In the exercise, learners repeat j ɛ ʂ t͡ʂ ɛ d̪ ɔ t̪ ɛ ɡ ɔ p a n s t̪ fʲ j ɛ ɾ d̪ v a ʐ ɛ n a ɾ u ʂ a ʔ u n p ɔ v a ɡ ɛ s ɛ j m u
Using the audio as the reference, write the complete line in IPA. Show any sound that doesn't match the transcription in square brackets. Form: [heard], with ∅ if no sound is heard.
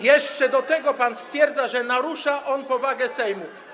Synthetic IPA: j ɛ ʂ t͡ʂ ɛ d̪ ɔ t̪ ɛ ɡ ɔ p a n s t̪ fʲ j ɛ ɾ d̪ [z] a ʐ ɛ n a ɾ u ʂ a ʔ [ɔ] n p ɔ v a ɡ ɛ s ɛ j m u